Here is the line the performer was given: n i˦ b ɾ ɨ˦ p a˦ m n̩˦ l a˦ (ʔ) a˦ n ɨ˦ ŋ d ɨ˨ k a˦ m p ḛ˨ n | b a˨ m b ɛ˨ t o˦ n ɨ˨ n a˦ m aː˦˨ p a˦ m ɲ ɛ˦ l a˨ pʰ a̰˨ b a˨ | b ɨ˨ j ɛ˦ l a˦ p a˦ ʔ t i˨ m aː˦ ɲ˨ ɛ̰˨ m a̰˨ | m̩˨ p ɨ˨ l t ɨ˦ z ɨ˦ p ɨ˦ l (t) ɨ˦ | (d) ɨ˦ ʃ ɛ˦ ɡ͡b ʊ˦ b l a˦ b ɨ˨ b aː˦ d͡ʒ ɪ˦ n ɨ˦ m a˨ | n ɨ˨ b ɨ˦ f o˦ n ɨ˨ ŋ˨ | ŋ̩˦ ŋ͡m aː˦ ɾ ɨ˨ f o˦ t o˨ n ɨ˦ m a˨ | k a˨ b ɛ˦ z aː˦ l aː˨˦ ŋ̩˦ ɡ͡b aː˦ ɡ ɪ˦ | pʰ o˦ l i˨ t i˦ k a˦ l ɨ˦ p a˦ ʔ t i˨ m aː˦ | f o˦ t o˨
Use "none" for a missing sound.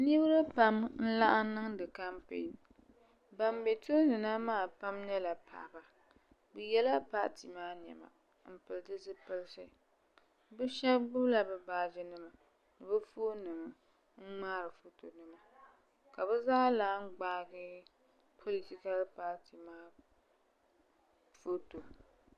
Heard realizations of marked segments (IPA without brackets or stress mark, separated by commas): ʔ, s, b